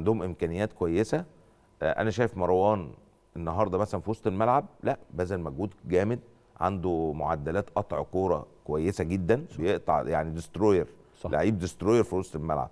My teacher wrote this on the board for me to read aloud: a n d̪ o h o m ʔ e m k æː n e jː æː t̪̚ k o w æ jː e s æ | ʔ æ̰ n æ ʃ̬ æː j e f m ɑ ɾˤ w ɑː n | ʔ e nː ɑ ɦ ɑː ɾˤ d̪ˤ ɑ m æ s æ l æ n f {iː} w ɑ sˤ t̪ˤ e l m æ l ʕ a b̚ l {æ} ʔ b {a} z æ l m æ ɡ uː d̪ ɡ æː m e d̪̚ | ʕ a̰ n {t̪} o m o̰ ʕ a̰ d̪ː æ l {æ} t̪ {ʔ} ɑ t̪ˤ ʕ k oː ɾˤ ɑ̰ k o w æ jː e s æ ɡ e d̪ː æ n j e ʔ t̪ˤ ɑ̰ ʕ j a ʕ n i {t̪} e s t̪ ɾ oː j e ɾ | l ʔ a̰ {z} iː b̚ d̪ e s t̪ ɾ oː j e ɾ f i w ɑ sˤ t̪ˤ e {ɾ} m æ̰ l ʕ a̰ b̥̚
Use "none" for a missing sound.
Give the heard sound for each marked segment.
i, æ, æ, d̪, æː, ʔ, d̪, ʕ, l

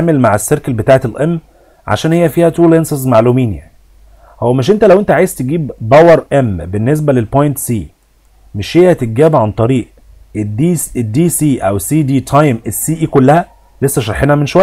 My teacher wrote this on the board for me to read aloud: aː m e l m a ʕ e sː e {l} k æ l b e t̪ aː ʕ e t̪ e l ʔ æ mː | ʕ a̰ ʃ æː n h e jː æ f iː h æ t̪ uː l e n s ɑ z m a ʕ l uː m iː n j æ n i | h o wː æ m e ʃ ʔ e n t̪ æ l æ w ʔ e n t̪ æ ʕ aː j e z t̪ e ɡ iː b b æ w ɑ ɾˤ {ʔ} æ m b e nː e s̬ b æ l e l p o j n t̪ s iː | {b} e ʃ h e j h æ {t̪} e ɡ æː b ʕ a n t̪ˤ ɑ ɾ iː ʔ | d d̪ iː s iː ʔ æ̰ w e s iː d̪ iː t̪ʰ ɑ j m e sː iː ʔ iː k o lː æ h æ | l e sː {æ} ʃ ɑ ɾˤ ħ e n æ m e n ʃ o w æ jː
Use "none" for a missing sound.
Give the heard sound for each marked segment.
ɾ, ʔ, m, t̪, æ

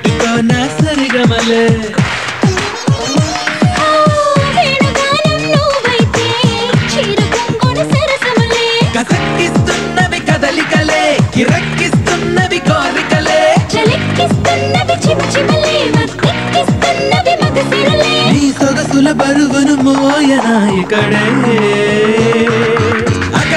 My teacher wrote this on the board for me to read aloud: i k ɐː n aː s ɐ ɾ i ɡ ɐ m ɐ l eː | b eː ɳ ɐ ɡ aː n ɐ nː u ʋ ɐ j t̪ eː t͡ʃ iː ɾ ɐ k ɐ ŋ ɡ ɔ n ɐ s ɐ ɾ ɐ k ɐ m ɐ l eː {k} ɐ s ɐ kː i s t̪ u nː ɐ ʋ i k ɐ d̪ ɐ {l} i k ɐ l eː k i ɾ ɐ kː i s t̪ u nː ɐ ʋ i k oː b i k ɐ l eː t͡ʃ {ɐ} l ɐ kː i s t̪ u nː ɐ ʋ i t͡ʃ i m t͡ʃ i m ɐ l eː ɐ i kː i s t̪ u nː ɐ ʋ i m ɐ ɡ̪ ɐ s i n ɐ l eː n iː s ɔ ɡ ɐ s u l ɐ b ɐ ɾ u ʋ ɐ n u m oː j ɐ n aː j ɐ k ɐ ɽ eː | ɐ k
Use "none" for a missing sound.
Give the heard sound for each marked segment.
k, l, ɐ

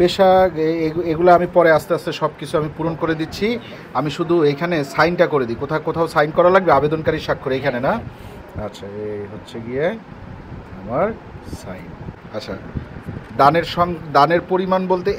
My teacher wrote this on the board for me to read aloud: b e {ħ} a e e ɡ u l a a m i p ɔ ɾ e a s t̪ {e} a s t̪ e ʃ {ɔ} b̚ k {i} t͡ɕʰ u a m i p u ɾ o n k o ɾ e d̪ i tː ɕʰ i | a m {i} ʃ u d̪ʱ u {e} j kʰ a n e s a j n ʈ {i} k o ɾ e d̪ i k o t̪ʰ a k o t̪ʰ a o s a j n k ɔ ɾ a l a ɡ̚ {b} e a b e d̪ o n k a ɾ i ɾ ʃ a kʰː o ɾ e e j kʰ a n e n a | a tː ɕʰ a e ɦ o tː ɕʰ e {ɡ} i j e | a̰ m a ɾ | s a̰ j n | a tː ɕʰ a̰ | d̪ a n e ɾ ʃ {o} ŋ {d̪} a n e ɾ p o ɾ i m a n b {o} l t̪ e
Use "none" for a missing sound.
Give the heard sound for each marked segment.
ʃ, e, ɔ, i, i, e, a, b, ɡ, ɔ, d̪, o

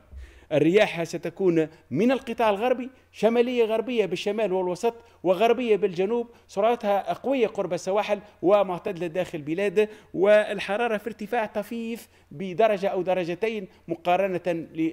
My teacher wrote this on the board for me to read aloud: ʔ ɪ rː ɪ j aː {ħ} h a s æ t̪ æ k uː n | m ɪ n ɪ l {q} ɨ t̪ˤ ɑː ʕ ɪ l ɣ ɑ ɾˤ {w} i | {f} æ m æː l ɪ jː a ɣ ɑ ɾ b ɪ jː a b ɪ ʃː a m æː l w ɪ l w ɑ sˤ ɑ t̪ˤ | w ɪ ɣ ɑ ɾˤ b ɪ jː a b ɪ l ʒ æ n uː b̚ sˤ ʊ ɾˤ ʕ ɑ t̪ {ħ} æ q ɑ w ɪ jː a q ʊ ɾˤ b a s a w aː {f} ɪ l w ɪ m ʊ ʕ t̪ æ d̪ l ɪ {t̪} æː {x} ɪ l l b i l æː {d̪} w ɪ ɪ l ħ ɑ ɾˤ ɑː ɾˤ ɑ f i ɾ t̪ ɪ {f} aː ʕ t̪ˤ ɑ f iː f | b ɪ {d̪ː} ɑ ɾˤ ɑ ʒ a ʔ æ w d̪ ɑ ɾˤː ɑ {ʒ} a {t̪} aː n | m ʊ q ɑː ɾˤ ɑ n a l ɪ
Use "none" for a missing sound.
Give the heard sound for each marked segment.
ħ, q, b, ʃ, h, ħ, d̪, x, d̪, f, d̪, ʒ, t̪

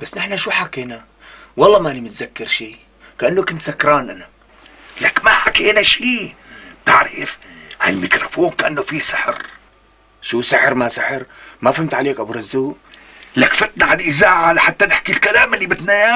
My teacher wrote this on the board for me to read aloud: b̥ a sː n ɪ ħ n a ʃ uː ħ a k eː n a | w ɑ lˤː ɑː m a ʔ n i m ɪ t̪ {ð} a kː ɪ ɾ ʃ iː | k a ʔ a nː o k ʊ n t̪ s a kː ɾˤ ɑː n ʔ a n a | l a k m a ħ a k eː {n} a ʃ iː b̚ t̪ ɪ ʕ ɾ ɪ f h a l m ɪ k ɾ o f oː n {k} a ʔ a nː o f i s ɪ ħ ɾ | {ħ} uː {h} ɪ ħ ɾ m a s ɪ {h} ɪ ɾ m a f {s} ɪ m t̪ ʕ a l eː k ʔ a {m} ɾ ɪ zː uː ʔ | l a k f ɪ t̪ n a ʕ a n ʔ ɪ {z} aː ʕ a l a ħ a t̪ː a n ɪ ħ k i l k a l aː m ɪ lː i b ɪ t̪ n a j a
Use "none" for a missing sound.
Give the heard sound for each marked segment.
z, n, k, ʃ, s, ħ, h, b, z

